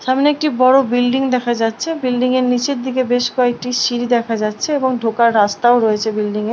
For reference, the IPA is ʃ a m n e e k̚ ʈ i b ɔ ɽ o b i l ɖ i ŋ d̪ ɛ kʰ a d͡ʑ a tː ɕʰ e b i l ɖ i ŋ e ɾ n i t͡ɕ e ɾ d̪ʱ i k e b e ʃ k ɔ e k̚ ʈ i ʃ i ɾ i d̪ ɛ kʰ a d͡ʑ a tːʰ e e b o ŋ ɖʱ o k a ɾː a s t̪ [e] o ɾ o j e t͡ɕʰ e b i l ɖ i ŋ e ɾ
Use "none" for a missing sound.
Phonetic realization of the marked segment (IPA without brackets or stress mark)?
a